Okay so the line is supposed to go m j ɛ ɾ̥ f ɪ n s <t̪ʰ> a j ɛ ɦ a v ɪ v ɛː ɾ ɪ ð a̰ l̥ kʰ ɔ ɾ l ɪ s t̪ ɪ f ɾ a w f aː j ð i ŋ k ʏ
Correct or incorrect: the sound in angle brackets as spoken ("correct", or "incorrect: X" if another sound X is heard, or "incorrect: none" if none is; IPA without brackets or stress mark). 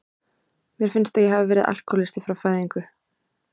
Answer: incorrect: t̪